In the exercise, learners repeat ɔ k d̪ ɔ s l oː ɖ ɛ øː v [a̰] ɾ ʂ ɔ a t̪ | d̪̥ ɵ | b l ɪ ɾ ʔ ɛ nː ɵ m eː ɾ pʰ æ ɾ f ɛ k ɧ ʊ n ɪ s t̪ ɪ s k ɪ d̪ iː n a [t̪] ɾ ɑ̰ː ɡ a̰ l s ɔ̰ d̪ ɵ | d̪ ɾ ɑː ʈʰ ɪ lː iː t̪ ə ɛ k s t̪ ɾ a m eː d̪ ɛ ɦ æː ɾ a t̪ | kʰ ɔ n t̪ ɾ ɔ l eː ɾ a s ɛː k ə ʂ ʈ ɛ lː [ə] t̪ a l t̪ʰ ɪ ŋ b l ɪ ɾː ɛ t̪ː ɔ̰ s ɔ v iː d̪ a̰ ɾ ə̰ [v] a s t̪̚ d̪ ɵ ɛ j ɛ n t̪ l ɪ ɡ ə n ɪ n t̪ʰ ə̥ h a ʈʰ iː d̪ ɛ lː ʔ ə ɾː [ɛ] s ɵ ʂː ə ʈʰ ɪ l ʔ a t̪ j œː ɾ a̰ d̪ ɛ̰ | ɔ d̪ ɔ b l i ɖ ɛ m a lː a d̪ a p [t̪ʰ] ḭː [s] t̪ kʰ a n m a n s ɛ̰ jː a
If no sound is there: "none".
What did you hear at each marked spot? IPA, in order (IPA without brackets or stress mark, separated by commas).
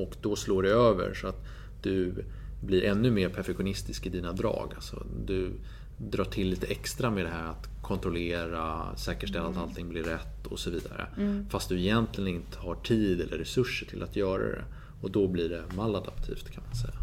ə̰, d̪, a, f, ɛ, t̪ʰ, f